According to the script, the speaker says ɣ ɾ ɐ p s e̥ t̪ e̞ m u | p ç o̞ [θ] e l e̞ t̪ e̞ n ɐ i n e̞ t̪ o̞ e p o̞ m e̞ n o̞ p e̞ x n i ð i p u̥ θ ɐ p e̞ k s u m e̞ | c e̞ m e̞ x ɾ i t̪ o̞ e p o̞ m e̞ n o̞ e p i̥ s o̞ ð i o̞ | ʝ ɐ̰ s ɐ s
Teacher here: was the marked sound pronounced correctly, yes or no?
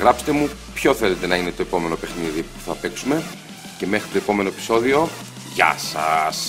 yes